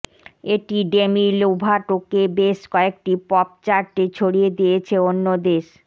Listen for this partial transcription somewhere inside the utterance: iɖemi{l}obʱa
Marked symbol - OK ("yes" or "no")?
yes